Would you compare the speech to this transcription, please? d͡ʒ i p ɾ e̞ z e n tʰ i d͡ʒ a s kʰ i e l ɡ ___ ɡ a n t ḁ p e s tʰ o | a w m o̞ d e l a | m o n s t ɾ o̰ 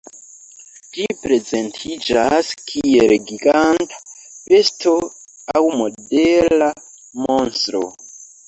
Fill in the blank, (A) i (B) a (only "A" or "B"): A